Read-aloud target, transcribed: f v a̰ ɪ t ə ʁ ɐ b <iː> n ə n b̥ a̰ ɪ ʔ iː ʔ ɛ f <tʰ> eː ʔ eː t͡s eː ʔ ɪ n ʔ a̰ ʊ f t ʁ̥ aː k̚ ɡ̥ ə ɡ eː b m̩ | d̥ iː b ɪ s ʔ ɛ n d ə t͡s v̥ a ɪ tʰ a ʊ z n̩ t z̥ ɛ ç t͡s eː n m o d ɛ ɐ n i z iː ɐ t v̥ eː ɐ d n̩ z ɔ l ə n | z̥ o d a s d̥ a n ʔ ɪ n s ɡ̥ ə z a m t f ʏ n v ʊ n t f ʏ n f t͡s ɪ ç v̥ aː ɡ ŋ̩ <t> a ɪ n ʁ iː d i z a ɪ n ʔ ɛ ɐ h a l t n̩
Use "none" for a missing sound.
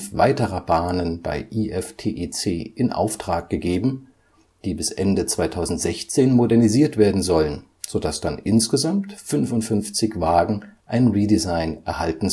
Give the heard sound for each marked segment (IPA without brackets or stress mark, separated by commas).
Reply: aː, tʰ, ʔ